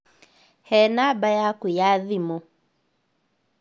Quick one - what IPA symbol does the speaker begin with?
h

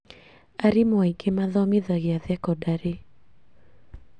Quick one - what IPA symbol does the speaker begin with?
a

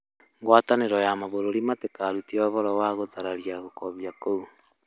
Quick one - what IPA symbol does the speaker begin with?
ŋ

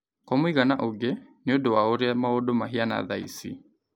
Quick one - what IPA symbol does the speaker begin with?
k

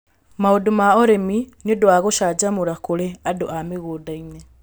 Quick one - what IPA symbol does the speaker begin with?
m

